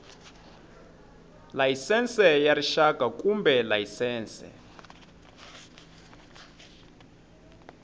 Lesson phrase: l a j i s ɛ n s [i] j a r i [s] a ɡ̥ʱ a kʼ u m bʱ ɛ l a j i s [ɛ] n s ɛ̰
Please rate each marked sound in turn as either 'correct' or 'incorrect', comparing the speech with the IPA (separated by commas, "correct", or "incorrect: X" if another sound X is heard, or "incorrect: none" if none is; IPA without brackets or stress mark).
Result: incorrect: ɛ, incorrect: ʃ, incorrect: ɛː